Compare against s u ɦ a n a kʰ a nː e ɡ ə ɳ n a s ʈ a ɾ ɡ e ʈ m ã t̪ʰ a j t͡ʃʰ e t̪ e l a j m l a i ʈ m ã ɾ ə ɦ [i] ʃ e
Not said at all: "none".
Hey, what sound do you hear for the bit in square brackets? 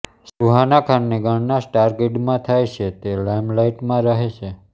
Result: e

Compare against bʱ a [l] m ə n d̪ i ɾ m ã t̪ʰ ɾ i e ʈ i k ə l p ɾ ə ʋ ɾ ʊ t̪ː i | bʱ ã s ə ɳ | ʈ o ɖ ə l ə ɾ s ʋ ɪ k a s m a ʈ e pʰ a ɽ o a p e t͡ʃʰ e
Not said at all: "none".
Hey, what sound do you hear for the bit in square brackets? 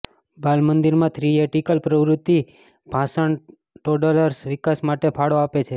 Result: l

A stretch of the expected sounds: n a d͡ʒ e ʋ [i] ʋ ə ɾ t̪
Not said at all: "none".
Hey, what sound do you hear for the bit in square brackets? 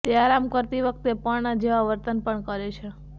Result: a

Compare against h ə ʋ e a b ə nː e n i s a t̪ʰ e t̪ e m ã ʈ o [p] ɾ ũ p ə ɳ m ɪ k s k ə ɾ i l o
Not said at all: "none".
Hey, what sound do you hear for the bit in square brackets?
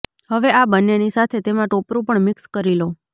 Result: p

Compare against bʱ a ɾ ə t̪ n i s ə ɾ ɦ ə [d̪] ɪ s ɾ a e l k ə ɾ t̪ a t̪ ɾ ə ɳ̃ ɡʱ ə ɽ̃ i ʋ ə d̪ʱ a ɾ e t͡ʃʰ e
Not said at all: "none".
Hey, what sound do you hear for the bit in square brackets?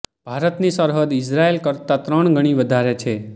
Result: d̪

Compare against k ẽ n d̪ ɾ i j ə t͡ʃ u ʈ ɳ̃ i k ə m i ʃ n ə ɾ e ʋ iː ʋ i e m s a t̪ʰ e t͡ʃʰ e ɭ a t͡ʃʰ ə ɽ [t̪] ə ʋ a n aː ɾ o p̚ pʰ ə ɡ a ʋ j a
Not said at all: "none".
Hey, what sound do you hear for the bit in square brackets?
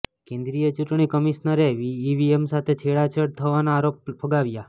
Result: t̪ʰ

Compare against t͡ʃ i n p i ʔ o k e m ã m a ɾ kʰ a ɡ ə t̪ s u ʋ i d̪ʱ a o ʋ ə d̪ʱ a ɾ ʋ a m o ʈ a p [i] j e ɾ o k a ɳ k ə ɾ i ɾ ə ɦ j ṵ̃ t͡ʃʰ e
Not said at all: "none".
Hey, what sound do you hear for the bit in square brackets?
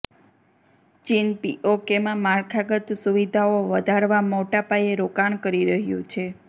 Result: a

